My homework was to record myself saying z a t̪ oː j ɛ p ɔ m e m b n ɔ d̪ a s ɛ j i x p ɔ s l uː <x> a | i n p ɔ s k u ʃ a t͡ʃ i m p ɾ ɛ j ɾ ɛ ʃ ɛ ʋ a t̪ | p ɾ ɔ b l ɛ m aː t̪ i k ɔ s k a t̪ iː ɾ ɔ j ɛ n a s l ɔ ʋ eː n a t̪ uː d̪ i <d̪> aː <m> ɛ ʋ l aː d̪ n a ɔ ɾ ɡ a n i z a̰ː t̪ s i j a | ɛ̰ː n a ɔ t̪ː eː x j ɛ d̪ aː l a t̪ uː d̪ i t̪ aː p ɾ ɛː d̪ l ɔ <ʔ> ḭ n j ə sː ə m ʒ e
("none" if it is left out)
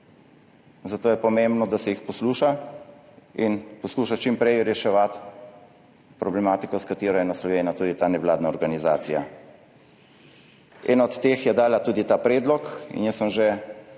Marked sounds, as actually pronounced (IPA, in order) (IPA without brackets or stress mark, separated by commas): ʃ, t̪, n, k